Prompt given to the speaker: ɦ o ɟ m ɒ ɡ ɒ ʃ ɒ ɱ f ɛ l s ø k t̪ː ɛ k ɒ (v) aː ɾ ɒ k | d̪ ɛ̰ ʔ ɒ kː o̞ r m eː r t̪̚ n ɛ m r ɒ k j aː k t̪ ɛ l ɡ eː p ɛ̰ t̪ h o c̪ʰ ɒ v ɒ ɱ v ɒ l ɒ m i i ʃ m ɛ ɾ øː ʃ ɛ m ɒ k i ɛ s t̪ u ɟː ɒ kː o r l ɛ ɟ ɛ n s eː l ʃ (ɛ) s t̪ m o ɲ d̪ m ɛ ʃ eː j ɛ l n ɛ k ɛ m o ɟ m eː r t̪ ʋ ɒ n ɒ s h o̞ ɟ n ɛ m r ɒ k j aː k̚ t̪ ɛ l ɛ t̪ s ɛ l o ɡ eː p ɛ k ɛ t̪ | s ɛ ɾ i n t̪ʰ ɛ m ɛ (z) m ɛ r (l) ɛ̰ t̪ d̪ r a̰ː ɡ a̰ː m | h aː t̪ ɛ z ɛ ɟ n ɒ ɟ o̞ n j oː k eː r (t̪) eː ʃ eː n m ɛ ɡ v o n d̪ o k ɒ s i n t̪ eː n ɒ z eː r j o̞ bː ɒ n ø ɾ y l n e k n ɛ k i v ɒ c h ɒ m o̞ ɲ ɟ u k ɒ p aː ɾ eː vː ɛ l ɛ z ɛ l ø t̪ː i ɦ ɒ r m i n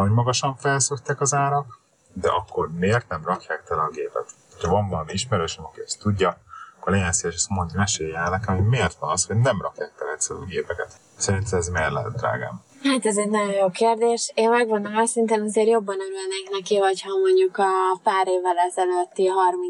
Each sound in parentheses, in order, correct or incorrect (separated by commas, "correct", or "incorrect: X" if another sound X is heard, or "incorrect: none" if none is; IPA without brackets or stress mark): incorrect: z, correct, correct, correct, incorrect: d̪